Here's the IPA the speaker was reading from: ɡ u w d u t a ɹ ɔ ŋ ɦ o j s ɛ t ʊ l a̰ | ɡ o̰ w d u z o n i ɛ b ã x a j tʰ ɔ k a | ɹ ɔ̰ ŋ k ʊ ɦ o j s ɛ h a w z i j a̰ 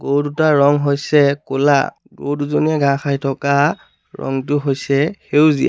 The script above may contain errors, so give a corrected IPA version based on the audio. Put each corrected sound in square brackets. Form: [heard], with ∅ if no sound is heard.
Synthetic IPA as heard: ɡ [o] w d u t a ɹ ɔ ŋ ɦ o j s ɛ [k] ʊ l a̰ | ɡ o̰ w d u z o n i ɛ [ɡ] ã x a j tʰ ɔ k a | ɹ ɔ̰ ŋ [t] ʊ ɦ o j s ɛ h [e] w z i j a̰